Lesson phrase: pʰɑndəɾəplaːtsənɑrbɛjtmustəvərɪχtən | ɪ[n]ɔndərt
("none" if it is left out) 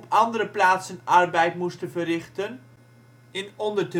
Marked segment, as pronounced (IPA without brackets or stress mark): n